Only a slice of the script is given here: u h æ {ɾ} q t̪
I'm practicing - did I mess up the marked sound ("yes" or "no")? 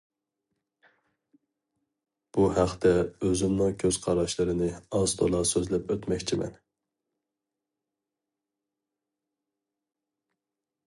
yes